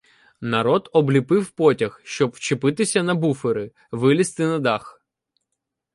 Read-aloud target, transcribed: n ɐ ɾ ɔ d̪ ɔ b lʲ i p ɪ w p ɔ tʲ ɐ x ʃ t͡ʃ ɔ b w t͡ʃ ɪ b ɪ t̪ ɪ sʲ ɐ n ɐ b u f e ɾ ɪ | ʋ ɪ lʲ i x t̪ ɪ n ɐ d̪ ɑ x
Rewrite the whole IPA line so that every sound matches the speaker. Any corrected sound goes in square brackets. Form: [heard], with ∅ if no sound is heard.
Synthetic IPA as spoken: n ɐ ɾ ɔ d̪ ɔ b lʲ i p ɪ w p ɔ tʲ ɐ x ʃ t͡ʃ ɔ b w t͡ʃ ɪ [p] ɪ t̪ ɪ sʲ ɐ n ɐ b u f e ɾ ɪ | ʋ ɪ lʲ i [s] t̪ ɪ n ɐ d̪ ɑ x